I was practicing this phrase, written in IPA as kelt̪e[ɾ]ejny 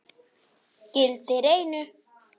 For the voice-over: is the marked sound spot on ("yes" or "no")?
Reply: yes